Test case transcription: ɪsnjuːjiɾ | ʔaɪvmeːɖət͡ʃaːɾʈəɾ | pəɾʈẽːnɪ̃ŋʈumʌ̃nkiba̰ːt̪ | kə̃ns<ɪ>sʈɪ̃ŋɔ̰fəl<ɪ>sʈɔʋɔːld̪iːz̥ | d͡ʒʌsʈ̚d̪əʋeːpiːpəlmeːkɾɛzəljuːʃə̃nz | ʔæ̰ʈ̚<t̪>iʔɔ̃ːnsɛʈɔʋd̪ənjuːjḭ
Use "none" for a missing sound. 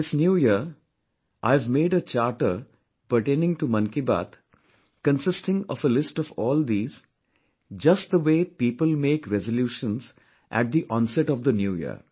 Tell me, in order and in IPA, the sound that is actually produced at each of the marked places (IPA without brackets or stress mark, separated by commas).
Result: ɪ, ɪ, d̪